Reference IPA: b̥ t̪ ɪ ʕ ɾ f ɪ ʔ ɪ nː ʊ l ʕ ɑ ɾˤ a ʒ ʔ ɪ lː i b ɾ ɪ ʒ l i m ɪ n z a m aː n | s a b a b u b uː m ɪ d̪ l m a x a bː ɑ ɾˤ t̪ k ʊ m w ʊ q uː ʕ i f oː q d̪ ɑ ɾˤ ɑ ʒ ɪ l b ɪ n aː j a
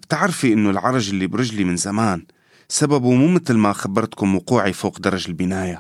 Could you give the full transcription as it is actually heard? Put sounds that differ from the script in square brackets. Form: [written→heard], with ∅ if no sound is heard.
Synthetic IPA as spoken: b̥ t̪ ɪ ʕ ɾ f [ɪ→i] ʔ ɪ nː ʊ l ʕ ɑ ɾˤ [a→ɑ] ʒ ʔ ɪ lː i b ɾ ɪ ʒ l i m ɪ n z a m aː n | s a b a b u [b→m] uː m ɪ [d̪→t̪] l m a x a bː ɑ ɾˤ t̪ k ʊ m w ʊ q uː ʕ i f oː q d̪ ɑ ɾˤ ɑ ʒ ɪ l b ɪ n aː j a